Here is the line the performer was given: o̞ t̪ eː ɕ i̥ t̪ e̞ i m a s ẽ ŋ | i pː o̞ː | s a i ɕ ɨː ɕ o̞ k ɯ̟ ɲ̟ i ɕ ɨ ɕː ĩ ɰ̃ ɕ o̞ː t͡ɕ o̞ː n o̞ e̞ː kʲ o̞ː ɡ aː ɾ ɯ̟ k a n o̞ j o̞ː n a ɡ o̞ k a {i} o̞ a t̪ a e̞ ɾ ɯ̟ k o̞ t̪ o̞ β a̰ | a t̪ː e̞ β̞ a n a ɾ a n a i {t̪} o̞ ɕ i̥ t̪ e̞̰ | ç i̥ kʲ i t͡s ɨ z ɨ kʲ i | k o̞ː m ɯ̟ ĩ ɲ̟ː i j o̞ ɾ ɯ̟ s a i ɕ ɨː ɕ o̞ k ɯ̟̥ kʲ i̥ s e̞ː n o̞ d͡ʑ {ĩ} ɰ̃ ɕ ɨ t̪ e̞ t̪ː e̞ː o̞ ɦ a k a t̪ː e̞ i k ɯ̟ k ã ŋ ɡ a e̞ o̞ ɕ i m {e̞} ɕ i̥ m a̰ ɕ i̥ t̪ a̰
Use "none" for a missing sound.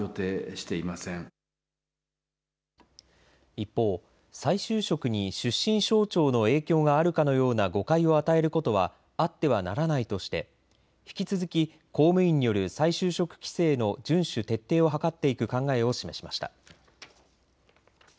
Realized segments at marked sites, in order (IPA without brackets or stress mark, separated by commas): i, t̪, ɨ̃, e̞